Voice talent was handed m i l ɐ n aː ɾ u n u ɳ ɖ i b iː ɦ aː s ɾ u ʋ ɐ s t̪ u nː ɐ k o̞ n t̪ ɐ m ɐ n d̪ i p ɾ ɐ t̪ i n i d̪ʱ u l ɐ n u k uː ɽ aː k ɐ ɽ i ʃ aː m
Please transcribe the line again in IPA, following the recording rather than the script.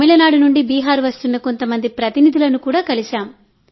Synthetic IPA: m i l ɐ n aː ɽ u n u ɳ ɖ i b iː ɦ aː ɾ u ʋ ɐ s t̪ u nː ɐ k o̞ n t̪ ɐ m ɐ n d̪ i p ɾ ɐ t̪ i n i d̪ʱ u l ɐ n u k uː ɽ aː k ɐ l i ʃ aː m